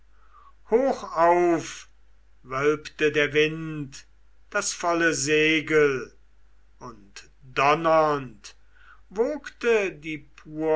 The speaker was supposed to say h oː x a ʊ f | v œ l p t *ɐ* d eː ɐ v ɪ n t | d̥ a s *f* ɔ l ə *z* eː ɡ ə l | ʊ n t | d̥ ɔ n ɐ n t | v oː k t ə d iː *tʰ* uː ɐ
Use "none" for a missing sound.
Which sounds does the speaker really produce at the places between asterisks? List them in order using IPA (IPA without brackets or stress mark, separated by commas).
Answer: ə, f, z, pʰ